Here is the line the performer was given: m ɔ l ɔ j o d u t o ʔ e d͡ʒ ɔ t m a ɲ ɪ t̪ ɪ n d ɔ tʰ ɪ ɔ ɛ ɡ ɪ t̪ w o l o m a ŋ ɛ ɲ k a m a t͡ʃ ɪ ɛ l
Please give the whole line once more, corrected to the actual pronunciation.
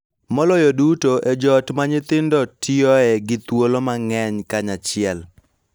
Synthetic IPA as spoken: m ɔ l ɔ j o d u t o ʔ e d͡ʒ ɔ t m a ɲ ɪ t̪ ɪ n d ɔ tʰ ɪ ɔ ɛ ɡ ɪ t̪ w o l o m a ŋ ɛ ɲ k a ɲ a t͡ʃ ɪ ɛ l